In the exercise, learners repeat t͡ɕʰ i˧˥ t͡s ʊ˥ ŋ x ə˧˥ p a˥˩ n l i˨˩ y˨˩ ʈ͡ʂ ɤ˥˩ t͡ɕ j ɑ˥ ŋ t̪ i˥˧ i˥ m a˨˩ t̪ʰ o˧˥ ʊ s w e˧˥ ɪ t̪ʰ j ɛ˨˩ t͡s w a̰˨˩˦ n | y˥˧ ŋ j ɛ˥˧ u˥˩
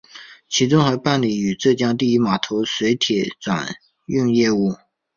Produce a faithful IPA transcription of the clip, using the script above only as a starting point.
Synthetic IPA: t͡ɕʰ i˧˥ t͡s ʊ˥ ŋ x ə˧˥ p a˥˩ n l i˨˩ y˨˩ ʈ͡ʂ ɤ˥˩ t͡ɕ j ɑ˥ ŋ t̪ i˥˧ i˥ m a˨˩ t̪ʰ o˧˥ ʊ s w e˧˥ ɪ t̪ʰ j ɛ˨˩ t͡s w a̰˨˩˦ n | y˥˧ ŋ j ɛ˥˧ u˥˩